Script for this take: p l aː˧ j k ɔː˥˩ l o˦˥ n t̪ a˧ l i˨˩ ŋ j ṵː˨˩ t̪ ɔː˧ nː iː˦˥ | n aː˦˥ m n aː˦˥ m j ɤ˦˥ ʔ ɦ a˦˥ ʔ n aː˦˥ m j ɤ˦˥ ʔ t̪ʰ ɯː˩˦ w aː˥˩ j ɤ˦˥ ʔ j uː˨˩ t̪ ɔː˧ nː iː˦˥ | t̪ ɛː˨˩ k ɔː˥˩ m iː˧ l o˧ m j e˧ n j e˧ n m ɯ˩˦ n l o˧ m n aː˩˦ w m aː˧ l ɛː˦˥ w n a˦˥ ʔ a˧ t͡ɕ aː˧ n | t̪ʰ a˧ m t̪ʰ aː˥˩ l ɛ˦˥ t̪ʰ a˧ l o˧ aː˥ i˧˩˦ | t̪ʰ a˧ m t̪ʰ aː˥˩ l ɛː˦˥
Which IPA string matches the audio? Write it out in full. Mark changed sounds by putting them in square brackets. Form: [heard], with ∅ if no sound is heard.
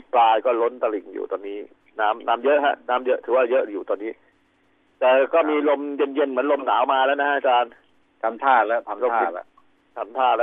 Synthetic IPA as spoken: p l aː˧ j k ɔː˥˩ l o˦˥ n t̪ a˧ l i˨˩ ŋ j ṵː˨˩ t̪ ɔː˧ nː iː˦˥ | n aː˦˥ m n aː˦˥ m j ɤ˦˥ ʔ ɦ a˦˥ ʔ n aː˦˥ m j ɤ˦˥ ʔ t̪ʰ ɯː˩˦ w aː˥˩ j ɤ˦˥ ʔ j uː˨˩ t̪ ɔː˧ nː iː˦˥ | t̪ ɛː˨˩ k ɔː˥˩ m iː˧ l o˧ m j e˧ n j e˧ n m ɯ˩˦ n l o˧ m n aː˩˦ w m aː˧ l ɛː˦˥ w n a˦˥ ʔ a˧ t͡ɕ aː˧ n | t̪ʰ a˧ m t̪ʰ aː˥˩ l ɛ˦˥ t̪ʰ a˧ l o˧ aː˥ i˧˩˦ | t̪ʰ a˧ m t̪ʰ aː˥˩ l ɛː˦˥